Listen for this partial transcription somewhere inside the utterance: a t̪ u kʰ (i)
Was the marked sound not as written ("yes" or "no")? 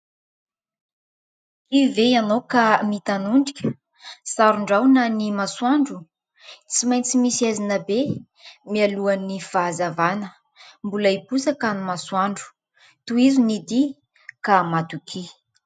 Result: no